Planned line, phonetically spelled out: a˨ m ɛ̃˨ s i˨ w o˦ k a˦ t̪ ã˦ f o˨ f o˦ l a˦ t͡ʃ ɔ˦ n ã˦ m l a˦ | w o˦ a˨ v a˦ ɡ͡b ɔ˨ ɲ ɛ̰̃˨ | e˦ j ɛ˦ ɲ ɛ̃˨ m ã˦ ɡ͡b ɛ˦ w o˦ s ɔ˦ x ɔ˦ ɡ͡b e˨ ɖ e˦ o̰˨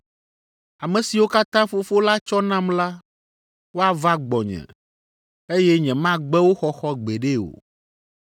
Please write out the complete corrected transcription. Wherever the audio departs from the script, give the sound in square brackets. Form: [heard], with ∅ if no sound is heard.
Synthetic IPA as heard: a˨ m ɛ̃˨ s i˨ w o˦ k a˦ t̪ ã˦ f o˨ f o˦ l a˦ t͡ʃ ɔ˦ n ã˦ m l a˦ | w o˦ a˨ v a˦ ɡ͡b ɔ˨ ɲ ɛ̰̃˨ | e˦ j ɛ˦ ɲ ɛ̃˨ m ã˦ ɡ͡b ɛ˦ w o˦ [x] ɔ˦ x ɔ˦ ɡ͡b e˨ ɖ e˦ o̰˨

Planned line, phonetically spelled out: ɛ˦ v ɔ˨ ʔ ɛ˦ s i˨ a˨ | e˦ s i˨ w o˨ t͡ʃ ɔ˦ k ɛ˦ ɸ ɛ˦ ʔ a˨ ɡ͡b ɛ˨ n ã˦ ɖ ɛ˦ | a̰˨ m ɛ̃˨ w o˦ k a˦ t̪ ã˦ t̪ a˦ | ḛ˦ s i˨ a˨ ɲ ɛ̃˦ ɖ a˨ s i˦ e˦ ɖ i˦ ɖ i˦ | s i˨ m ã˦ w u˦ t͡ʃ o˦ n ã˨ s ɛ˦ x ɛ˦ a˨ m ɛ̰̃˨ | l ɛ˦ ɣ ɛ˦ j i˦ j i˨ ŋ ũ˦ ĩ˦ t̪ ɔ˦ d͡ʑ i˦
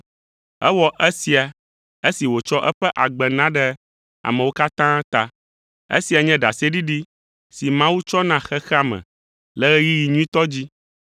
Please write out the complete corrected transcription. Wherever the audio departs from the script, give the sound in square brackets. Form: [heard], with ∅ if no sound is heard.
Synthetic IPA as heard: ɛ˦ [w] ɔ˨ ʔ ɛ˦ s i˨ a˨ | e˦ s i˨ w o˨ t͡ʃ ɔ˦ [ʔ] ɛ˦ ɸ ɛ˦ ʔ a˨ ɡ͡b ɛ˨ n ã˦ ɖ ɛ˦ | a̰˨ m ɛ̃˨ w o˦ k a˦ t̪ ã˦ t̪ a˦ | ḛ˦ s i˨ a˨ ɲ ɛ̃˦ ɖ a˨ s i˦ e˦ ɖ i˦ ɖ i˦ | s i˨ m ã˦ w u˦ t͡ʃ [ɔ˦] n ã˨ [x] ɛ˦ x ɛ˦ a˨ m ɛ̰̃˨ | l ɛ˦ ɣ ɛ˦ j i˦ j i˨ [ɲ] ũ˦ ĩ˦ t̪ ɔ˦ d͡ʑ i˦

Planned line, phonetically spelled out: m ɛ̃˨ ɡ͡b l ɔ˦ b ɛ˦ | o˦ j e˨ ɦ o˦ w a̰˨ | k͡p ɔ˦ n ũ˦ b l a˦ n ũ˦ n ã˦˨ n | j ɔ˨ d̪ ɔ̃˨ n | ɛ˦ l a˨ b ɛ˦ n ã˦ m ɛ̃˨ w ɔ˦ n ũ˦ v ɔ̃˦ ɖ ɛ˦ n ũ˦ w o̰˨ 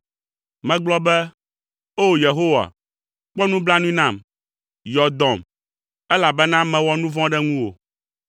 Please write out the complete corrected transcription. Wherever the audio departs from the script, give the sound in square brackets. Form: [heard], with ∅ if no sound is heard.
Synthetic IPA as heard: m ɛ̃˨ ɡ͡b l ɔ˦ b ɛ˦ | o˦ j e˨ ɦ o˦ w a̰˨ | k͡p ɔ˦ n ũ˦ b l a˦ n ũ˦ n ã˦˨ [m] | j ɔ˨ d̪ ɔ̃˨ [m] | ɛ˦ l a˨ b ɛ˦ n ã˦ m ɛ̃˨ w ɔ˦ n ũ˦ v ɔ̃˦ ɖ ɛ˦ [ŋ] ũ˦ w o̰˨

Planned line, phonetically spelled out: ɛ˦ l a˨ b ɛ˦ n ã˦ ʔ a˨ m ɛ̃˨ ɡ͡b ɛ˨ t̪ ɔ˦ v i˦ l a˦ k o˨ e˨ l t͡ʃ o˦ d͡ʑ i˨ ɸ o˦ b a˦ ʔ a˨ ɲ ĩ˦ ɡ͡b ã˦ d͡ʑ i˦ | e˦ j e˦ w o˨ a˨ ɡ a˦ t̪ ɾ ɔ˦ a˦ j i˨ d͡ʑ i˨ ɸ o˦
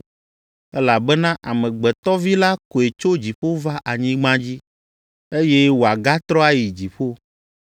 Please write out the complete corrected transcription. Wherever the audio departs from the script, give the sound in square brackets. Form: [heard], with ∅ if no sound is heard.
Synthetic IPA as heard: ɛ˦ l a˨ b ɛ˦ n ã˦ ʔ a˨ m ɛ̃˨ ɡ͡b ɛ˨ t̪ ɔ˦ v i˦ l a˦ k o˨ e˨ [∅] t͡ʃ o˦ d͡ʑ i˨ ɸ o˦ [v] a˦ ʔ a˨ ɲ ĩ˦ ɡ͡b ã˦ d͡ʑ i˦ | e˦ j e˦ w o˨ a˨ ɡ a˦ t̪ ɾ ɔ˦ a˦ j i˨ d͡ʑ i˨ ɸ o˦

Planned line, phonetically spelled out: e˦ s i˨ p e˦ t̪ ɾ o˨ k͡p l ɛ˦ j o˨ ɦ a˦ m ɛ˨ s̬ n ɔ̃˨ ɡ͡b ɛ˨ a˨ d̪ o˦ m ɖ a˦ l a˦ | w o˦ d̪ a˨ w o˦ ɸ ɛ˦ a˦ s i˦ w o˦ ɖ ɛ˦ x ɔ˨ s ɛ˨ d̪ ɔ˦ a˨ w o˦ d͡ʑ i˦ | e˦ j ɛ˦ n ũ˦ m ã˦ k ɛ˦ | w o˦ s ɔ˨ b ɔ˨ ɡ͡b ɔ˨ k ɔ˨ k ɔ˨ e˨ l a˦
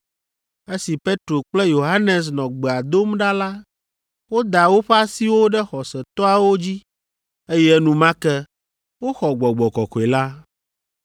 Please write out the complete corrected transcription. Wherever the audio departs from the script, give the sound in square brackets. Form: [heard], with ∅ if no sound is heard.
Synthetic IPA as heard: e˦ s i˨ p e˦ t̪ ɾ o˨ k͡p l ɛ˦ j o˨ ɦ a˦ [n] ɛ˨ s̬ n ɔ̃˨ ɡ͡b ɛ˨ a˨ d̪ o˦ m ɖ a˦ l a˦ | w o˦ d̪ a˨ w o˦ ɸ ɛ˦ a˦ s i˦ w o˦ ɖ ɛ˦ x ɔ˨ s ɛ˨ [t̪] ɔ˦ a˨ w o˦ d͡ʑ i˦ | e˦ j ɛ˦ n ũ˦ m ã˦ k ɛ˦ | w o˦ [x] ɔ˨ [ɡ͡b] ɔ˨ ɡ͡b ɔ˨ k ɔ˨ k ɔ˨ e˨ l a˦

